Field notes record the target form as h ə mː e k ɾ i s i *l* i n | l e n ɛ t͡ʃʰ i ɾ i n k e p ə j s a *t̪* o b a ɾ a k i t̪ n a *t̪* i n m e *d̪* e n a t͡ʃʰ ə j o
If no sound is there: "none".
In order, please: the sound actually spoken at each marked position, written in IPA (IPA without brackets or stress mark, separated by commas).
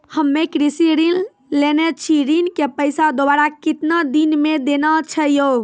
ɾ, d̪, d̪, d̪